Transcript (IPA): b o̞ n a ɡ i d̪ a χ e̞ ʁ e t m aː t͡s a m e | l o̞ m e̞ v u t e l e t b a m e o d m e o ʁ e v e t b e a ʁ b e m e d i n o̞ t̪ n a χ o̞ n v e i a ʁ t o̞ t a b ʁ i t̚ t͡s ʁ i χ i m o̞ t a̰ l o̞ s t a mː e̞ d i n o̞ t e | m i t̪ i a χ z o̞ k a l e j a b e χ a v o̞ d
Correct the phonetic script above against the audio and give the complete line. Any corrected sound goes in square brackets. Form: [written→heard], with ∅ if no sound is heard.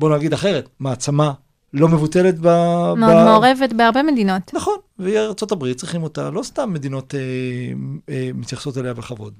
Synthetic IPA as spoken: b o̞ n a ɡ i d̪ a χ e̞ ʁ e t m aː t͡s a m [e→a] | l o̞ m e̞ v u t e l e t b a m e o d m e o ʁ e v e t b e a ʁ b e m e d i n o̞ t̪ n a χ o̞ n v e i a ʁ [t→t͡s] o̞ t a b ʁ i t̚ t͡s ʁ i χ i m o̞ t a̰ l o̞ s t a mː e̞ d i n o̞ t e | m i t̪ [i→j] a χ [z→s] o̞ [k→t] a l e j a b e χ a v o̞ d